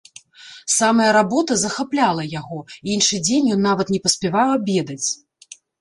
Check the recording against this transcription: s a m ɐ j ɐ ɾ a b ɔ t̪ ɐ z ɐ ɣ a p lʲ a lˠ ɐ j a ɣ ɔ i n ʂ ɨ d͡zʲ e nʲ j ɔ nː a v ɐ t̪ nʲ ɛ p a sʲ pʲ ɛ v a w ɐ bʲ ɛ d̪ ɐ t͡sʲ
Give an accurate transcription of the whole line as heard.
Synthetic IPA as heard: s a m ɐ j ɐ ɾ a b ɔ t̪ ɐ z ɐ x a p lʲ a lˠ ɐ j a ɣ ɔ i n ʂ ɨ d͡zʲ e nʲ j ɔ nː a v ɐ t̪ nʲ ɛ p ɐ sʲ pʲ ɛ v a w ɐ bʲ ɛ d̪ ɐ t͡sʲ